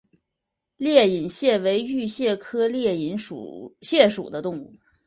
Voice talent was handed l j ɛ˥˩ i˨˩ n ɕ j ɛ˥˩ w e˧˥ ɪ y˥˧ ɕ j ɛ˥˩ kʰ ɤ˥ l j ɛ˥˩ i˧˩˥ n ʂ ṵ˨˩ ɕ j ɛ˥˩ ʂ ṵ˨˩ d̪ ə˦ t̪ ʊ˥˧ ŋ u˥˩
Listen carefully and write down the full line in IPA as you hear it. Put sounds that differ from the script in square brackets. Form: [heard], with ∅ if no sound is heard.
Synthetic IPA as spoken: l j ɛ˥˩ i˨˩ n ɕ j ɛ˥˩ w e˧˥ ɪ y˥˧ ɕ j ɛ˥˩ kʰ ɤ˥ l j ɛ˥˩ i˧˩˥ n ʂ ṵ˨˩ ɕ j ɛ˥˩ ʂ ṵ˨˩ d̪ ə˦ t̪ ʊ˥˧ ŋ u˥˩